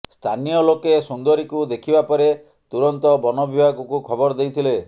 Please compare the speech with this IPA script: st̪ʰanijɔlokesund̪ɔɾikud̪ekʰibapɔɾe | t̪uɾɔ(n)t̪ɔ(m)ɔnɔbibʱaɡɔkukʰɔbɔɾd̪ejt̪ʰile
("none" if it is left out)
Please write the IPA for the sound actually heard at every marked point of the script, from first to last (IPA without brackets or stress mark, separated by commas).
n, b